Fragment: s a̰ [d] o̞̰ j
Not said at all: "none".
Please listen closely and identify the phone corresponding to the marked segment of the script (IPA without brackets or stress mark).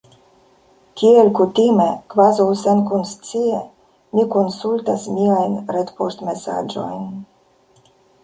d͡ʒ